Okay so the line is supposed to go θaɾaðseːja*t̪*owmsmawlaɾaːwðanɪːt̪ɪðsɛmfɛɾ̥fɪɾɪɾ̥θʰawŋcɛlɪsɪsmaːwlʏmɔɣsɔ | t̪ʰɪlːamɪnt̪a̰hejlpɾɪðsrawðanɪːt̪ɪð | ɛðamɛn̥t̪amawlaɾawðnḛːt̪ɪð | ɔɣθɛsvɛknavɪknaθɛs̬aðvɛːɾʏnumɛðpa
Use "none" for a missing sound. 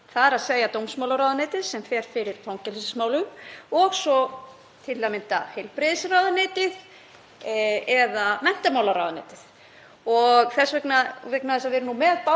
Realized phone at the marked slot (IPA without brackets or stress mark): t̪